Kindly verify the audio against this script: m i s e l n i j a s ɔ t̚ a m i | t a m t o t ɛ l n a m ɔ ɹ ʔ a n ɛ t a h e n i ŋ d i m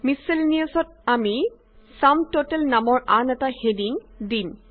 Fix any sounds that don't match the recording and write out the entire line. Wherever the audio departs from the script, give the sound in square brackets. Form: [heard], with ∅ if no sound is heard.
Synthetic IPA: m i s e l n i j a s ɔ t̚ a m i | [s] a m t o t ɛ l n a m ɔ ɹ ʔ a n ɛ t a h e [d] i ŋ d i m